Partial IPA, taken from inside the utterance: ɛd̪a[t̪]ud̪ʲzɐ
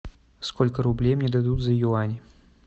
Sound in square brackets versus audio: incorrect: d̪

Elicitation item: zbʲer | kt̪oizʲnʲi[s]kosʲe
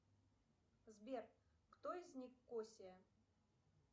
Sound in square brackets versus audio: incorrect: x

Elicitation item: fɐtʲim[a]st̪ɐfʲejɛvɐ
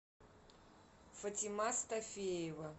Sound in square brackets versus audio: correct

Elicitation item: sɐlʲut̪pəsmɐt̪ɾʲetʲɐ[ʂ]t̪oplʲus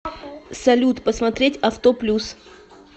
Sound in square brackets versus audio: incorrect: f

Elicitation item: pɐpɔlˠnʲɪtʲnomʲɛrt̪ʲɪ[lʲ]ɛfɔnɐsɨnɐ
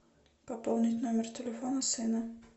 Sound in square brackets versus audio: correct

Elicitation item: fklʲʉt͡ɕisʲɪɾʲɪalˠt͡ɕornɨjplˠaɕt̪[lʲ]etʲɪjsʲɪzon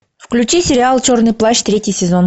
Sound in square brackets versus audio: incorrect: ɾʲ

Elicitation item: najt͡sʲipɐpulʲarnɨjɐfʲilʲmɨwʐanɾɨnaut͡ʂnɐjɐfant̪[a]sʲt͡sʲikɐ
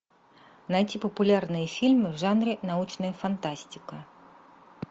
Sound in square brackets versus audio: correct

